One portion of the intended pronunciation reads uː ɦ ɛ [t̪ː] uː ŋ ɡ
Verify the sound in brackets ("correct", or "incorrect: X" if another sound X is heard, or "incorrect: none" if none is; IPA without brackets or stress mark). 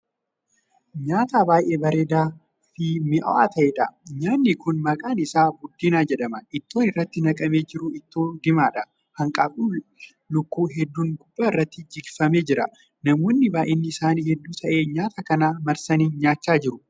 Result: incorrect: d̪ː